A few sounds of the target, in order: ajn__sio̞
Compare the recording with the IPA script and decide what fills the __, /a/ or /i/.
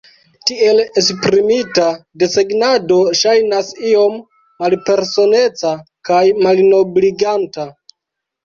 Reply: a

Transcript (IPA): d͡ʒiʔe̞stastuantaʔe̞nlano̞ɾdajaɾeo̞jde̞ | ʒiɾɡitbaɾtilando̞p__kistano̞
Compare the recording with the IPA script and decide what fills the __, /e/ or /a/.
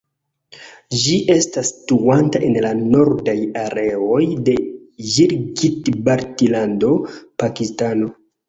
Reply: a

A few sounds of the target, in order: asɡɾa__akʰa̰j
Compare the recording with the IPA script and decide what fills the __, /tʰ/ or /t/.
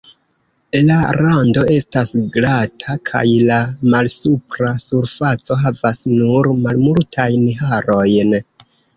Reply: tʰ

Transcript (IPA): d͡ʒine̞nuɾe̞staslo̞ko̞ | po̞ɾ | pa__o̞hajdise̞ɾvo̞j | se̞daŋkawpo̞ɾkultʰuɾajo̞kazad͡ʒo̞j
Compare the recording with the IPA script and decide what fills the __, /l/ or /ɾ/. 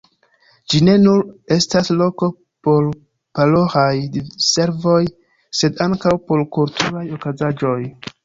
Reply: l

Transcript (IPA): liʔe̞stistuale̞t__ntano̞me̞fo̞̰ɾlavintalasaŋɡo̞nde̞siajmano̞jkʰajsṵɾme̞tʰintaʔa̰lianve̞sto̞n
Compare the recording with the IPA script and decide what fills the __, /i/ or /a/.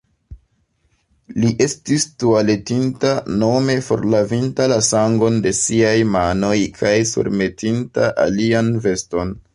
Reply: i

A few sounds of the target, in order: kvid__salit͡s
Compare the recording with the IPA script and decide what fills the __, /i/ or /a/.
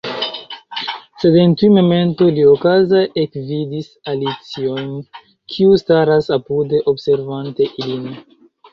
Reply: i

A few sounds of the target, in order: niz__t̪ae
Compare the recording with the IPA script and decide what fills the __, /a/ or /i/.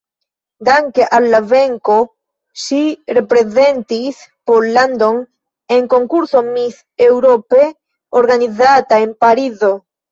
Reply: a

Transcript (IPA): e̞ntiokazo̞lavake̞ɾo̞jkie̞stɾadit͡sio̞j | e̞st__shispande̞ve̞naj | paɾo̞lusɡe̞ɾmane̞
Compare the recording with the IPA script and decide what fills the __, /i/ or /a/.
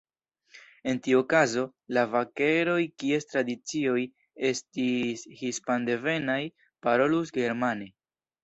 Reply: i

